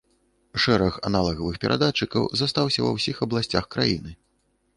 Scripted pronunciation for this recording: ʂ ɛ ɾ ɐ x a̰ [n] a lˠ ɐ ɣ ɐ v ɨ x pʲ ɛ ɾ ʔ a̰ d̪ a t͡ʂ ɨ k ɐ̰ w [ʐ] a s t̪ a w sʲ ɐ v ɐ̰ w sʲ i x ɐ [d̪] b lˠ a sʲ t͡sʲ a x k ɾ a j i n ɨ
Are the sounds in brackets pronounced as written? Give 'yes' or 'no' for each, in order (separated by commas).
yes, no, no